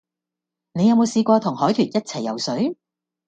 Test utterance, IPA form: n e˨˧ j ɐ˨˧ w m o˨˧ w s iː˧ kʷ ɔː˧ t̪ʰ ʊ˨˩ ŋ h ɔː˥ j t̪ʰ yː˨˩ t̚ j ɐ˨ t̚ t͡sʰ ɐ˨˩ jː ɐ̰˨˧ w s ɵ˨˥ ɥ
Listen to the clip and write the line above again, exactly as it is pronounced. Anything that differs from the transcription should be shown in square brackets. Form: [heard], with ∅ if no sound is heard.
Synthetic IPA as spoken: n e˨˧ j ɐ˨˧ w m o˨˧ w s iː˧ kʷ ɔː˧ t̪ʰ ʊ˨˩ ŋ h [ɔː˨˥] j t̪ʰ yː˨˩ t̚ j [ɐ˥] t̚ t͡sʰ ɐ˨˩ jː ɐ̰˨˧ w s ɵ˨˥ ɥ